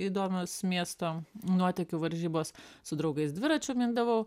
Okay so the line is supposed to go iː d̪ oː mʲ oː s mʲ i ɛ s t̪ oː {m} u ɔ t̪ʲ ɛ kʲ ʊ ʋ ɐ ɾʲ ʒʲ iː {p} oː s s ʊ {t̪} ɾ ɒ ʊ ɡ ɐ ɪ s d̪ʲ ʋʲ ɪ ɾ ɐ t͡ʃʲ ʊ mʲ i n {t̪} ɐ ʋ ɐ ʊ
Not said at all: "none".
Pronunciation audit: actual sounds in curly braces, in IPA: n, b, d̪, d̪

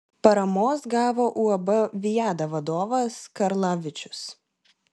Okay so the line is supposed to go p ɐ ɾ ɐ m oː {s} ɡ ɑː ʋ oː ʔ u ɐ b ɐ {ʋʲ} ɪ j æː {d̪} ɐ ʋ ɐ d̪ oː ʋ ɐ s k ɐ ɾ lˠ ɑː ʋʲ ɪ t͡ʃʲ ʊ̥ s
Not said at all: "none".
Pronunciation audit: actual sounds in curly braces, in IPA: s, ʋʲ, d̪

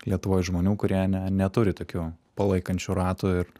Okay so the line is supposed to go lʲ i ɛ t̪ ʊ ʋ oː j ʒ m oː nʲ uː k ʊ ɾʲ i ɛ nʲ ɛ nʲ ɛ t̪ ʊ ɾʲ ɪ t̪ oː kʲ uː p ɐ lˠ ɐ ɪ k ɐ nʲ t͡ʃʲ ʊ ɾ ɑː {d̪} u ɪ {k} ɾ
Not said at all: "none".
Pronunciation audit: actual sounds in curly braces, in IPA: t̪, none

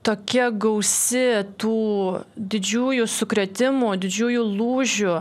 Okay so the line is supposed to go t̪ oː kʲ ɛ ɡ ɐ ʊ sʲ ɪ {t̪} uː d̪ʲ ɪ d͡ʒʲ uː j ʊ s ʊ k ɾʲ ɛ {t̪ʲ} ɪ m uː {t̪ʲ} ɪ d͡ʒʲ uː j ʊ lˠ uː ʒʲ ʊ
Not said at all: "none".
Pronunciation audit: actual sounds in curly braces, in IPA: t̪, t̪ʲ, d̪ʲ

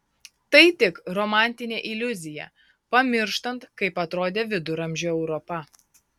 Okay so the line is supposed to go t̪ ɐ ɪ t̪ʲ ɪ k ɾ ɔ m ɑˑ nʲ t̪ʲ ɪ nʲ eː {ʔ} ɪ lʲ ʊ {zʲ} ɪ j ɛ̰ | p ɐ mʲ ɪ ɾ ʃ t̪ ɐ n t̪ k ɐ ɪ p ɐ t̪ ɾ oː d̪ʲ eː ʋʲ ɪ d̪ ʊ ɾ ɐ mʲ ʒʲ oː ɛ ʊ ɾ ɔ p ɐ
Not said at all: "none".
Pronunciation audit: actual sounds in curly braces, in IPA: ʔ, zʲ

